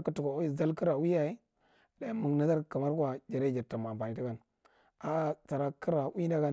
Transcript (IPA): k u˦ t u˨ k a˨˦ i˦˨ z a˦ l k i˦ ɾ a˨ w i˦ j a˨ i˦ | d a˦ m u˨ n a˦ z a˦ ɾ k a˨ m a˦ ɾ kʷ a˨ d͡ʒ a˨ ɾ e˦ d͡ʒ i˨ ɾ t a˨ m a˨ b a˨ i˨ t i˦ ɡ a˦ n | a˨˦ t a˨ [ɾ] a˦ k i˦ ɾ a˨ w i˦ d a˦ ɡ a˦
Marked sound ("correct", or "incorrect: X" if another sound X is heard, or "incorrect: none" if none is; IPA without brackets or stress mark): correct